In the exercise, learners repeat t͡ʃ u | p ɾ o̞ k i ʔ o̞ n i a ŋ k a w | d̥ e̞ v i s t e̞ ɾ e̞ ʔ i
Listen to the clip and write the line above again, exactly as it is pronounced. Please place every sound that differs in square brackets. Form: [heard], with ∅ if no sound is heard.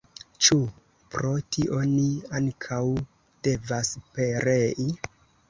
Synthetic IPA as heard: t͡ʃ u | p ɾ o̞ [t] i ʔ o̞ n i a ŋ [kʰ] a w | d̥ e̞ v [a] s [p] e̞ ɾ e̞ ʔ i